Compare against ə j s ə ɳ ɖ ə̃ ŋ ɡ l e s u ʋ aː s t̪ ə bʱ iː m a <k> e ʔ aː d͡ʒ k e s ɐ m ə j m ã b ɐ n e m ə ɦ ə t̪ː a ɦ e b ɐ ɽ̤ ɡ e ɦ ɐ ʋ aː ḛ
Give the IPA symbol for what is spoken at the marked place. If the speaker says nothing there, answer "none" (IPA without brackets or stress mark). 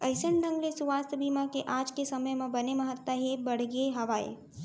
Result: k